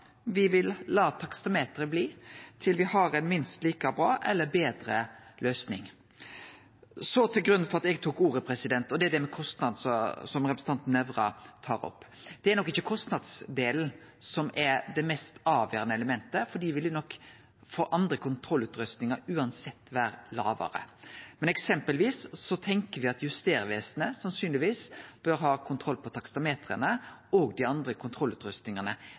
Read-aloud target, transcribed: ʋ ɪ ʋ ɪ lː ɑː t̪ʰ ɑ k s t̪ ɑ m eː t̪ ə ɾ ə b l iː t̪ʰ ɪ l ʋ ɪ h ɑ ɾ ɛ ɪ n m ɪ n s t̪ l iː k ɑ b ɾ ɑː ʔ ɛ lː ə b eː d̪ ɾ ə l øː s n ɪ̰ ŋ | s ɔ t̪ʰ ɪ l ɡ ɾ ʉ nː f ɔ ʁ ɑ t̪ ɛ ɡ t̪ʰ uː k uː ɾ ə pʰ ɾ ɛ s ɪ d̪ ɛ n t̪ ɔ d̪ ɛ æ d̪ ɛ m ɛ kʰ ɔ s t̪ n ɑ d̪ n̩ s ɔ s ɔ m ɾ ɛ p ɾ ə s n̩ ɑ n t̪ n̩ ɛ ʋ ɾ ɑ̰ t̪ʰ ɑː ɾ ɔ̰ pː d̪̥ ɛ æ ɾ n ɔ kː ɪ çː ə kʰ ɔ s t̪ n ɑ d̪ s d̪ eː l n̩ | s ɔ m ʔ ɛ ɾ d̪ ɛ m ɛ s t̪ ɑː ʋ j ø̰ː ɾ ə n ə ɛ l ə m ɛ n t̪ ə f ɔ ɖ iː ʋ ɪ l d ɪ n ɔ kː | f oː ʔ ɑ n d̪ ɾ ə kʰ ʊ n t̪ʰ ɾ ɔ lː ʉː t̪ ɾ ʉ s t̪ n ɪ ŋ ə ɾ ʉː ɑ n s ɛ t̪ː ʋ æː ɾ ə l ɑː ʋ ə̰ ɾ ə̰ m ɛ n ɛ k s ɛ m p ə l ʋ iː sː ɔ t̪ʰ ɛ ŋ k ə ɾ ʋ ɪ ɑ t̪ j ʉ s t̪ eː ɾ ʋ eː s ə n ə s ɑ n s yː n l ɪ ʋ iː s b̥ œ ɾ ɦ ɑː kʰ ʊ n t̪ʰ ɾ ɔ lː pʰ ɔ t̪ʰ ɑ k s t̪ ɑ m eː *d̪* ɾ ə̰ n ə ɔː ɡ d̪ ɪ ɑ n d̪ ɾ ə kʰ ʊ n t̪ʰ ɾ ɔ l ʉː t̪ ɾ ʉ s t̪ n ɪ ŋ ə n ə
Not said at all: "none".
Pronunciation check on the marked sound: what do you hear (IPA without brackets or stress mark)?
t̪